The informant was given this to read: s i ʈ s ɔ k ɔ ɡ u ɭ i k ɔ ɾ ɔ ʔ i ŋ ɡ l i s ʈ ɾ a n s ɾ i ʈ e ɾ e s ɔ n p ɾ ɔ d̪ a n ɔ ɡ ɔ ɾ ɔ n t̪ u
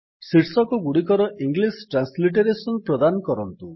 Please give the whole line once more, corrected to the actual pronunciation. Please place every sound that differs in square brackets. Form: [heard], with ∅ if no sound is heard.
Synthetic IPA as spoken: s i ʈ s ɔ k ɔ ɡ u [ɽ] i k ɔ ɾ ɔ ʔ i ŋ ɡ l i s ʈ ɾ a n s [l] i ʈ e ɾ e s ɔ n p ɾ ɔ d̪ a n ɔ [k] ɔ ɾ ɔ n t̪ u